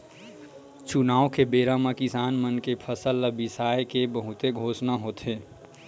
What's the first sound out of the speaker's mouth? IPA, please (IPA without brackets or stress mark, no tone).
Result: t͡ʃ